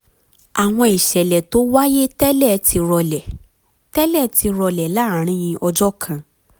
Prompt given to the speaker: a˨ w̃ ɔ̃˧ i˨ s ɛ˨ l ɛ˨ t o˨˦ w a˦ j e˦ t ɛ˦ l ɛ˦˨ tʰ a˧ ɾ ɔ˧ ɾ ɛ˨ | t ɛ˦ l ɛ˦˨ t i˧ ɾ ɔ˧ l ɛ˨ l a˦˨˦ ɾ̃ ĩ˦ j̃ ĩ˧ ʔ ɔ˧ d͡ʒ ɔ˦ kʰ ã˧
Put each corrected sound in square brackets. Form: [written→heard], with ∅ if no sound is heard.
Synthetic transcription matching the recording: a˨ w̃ ɔ̃˧ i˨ [s→ʃ] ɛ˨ l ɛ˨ t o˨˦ w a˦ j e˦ t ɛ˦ l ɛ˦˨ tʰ [a˧→i˧] ɾ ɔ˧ [ɾ→l] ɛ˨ | t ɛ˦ l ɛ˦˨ t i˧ ɾ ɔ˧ l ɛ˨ l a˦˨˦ ɾ̃ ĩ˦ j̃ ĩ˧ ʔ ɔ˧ d͡ʒ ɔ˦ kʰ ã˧

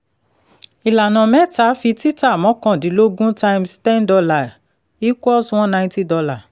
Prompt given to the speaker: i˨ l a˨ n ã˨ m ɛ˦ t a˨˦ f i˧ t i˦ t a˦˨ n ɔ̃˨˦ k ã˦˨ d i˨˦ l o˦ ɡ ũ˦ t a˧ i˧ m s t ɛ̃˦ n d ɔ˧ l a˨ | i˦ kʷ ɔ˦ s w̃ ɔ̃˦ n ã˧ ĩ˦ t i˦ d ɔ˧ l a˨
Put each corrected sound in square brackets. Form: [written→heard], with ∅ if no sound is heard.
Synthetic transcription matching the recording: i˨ l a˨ n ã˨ m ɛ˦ t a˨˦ f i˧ t i˦ t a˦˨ [n→m] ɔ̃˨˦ k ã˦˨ d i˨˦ l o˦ ɡ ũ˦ t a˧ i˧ m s t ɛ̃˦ n d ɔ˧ l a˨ | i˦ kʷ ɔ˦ s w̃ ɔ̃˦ n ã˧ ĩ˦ t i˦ d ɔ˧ l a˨

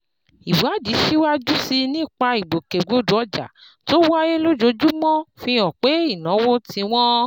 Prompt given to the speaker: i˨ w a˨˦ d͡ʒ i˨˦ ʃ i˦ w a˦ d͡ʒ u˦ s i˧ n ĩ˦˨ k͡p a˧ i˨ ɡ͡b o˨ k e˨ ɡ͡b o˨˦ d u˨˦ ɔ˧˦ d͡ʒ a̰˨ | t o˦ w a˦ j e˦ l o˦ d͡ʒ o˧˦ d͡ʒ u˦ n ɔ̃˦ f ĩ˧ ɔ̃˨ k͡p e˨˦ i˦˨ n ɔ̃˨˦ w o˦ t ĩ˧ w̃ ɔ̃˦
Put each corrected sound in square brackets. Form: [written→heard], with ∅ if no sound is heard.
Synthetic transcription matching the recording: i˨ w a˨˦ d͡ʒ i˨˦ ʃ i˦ w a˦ d͡ʒ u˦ s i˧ n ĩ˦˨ k͡p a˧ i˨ ɡ͡b o˨ k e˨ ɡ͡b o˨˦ d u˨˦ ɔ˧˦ d͡ʒ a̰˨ | t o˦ w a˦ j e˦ l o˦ d͡ʒ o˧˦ d͡ʒ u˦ [n→m] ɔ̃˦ f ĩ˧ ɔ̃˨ k͡p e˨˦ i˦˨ n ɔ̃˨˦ w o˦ t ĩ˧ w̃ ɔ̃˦

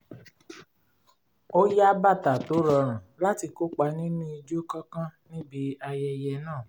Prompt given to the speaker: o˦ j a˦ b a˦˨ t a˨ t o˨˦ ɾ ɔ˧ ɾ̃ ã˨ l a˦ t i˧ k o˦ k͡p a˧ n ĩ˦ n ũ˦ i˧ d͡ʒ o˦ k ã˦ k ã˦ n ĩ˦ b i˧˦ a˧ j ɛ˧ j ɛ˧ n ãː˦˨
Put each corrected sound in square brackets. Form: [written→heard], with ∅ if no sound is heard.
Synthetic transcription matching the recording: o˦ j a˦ b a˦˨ t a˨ t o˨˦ ɾ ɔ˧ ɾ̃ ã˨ l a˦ t i˧ k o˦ k͡p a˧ n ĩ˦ n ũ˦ i˧ d͡ʒ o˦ k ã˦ k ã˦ n ĩ˦ b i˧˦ a˧ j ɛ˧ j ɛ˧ n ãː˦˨

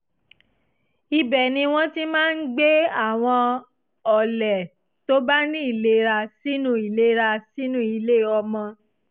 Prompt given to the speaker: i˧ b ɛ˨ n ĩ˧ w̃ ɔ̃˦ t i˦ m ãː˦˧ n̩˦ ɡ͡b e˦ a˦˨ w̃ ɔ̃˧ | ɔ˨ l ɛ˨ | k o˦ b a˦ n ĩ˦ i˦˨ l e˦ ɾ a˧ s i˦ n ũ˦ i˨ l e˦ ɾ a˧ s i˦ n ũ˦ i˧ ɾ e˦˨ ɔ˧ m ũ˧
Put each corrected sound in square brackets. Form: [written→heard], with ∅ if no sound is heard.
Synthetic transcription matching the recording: i˧ b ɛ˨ n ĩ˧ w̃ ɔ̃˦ t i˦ m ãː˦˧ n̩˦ ɡ͡b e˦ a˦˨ w̃ ɔ̃˧ | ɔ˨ l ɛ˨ | [k→t] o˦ b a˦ n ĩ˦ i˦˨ l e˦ ɾ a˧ s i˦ n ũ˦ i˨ l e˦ ɾ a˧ s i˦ n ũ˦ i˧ [ɾ→l] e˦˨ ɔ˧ m [ũ˧→ɔ̃˧]

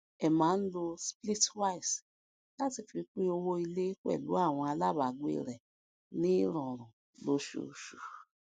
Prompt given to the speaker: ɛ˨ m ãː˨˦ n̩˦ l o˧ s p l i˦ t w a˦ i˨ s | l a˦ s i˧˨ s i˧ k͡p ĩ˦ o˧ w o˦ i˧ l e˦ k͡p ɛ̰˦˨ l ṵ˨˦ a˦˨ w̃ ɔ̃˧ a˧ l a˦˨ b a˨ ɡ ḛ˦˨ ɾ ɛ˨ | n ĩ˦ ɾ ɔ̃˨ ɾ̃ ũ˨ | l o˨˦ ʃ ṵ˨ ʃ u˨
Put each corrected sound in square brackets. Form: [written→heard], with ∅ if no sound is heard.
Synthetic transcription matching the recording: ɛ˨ m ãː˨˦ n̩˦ l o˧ s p l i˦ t w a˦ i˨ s | l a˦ [s→t] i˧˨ [s→f] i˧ k͡p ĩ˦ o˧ w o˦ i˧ l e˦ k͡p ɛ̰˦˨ l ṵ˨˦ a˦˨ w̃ ɔ̃˧ a˧ l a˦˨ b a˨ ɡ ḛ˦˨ ɾ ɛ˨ | n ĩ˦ ɾ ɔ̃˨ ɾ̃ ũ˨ | l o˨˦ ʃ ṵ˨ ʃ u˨

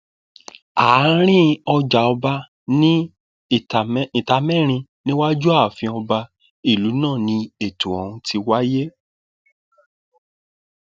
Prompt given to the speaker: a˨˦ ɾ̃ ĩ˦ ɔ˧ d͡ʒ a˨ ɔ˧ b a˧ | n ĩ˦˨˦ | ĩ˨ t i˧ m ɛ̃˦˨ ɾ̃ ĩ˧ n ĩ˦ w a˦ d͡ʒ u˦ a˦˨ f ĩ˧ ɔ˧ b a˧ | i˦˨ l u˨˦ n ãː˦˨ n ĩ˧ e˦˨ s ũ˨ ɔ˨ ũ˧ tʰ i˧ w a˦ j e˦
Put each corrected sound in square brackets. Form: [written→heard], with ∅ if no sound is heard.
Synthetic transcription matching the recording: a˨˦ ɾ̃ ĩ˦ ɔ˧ d͡ʒ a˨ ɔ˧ b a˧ | n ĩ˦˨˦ | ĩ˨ t [i˧→a˧] m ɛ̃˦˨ ɾ̃ ĩ˧ n ĩ˦ w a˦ d͡ʒ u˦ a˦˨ f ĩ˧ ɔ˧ b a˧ | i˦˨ l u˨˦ n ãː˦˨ n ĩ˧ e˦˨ [s→t] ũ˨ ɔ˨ ũ˧ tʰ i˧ w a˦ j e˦

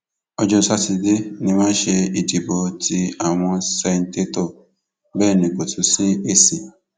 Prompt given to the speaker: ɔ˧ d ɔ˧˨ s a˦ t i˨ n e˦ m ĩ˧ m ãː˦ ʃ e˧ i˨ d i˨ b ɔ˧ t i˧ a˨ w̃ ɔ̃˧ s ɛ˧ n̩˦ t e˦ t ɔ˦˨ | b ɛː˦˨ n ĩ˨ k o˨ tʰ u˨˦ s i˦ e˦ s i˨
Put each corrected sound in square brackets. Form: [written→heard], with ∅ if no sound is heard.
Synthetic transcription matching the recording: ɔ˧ [d→d͡ʒ] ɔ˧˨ s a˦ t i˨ [n→d] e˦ [m→n] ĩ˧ m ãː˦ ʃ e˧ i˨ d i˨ b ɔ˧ t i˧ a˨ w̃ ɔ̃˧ s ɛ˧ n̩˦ t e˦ t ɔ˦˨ | b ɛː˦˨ n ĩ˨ k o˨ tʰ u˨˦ s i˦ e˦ s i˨

